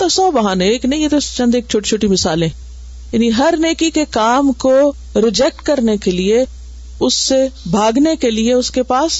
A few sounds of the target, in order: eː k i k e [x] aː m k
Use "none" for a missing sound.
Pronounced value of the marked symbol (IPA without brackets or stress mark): k